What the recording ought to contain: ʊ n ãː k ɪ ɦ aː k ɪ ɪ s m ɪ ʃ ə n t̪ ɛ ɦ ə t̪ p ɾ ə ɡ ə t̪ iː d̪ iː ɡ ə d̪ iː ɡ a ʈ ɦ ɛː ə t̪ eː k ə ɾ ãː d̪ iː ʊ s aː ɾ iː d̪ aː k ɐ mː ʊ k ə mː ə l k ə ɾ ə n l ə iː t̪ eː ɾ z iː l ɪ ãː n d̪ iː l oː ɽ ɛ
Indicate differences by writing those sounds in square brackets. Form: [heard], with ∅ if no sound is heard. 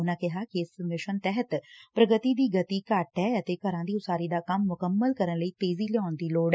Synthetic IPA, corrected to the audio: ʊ n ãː k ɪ ɦ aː k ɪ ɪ s m ɪ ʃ ə n t̪ ɛ ɦ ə t̪ p ɾ ə ɡ ə t̪ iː d̪ iː ɡ ə [t̪] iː [k] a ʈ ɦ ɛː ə t̪ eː k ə ɾ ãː d̪ iː ʊ s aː ɾ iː d̪ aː k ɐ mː ʊ k ə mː ə l k ə ɾ ə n l ə iː t̪ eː [∅] z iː l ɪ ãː n d̪ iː l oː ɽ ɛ